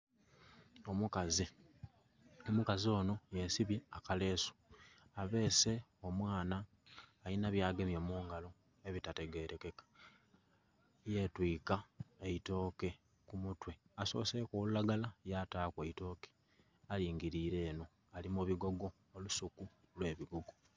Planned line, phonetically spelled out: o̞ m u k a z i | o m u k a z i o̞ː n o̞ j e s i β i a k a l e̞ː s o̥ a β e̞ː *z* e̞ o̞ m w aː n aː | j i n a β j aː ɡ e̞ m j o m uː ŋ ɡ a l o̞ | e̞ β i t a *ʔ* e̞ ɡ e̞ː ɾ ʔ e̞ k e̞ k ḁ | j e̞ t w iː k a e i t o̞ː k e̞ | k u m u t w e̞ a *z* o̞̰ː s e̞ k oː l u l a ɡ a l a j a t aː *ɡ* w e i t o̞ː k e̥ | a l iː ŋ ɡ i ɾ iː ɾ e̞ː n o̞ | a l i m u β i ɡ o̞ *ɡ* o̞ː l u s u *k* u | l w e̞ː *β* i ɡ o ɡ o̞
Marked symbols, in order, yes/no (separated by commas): no, no, no, no, yes, yes, yes